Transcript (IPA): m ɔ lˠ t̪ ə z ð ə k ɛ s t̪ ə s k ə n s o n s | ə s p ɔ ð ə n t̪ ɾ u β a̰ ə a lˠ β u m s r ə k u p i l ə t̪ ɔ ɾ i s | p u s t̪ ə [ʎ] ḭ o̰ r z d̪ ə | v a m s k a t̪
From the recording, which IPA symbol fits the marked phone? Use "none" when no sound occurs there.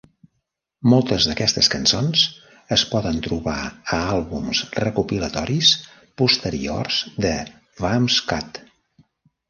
ɾ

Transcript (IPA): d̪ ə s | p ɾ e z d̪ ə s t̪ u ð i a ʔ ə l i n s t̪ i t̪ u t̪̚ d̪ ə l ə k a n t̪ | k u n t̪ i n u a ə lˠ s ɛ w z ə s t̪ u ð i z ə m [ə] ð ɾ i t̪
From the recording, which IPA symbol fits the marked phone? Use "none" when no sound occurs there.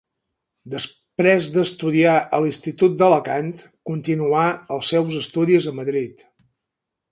ə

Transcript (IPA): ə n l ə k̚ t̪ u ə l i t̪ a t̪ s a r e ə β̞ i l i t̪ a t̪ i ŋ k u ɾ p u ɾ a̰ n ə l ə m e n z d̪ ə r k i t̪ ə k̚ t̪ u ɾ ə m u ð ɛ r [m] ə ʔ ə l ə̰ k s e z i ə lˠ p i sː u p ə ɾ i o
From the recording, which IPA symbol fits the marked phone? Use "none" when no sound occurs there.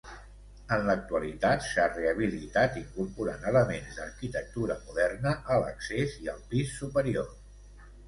n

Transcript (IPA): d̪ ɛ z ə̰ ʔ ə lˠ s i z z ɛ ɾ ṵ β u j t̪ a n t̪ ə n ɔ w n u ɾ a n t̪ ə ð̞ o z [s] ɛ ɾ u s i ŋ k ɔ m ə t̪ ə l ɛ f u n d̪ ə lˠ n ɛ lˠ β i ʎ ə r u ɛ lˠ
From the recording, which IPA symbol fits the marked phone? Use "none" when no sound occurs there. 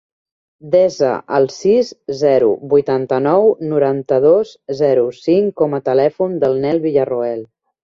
z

